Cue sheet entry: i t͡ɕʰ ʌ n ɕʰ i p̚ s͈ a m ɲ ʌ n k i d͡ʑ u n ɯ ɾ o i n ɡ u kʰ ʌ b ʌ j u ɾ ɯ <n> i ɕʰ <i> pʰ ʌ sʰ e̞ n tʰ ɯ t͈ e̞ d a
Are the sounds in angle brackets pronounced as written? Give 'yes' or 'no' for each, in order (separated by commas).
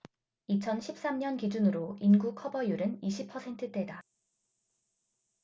yes, yes